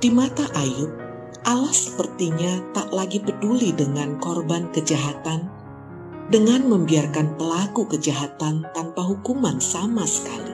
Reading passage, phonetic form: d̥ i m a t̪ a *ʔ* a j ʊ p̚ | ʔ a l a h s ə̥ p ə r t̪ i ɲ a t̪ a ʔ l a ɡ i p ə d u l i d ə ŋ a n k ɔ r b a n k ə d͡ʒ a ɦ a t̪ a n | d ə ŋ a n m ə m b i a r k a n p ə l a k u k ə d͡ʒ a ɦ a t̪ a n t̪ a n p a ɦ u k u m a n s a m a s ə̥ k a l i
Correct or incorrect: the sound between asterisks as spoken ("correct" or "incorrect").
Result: correct